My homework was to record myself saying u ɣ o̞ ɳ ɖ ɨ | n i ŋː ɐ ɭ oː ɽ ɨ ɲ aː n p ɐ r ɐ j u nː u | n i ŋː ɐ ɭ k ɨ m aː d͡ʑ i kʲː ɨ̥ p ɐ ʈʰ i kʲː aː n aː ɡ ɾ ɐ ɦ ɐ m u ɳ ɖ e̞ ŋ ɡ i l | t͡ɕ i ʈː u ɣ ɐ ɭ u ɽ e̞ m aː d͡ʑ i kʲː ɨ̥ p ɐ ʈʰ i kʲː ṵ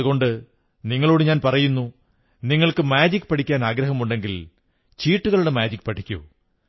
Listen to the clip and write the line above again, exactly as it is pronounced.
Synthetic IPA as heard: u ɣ o̞ ɳ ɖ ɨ | n i ŋː ɐ ɭ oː ɽ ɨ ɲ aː n p ɐ r ɐ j u nː u | n i ŋː ɐ ɭ k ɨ m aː d͡ʑ i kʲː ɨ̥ p ɐ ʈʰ i kʲː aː n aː ɡ ɾ ɐ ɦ ɐ m u ɳ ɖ e̞ ŋ ɡ i l | t͡ɕ iː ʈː u ɣ ɐ ɭ u ɽ e̞ m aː d͡ʑ i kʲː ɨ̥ p ɐ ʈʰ i kʲː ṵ